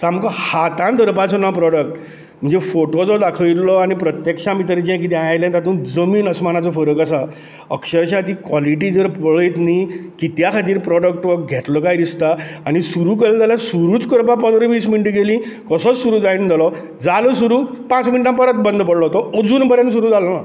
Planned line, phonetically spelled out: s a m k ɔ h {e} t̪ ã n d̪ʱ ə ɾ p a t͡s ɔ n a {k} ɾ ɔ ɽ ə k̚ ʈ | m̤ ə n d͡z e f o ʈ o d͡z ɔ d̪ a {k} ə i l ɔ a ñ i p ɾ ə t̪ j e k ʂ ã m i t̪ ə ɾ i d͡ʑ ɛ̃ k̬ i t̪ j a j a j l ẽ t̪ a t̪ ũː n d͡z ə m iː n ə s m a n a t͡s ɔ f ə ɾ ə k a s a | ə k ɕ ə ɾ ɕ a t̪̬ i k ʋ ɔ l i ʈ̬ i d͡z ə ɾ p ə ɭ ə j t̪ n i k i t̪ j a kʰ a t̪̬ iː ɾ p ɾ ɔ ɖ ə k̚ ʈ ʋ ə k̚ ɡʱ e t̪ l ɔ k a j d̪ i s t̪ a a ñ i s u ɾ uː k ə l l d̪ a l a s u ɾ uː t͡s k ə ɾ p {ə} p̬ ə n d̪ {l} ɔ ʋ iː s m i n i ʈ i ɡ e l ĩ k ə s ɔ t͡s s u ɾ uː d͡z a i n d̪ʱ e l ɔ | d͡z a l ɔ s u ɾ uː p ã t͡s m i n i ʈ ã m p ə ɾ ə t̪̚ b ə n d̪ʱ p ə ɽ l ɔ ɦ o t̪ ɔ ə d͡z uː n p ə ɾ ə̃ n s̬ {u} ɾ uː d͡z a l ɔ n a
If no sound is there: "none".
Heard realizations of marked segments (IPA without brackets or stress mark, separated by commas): a, p, kʰ, a, ɾ, u